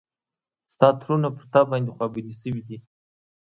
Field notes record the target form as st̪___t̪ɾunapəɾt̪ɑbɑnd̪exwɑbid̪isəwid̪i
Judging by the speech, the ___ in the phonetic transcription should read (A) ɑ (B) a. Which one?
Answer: A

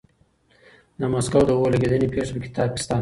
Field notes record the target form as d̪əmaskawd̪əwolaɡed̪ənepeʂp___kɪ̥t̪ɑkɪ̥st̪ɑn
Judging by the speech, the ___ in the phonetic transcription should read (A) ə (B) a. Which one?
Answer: A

